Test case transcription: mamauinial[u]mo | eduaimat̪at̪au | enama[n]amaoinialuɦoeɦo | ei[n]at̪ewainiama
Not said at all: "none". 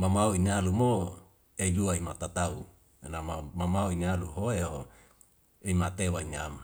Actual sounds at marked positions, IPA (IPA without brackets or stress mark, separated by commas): u, m, m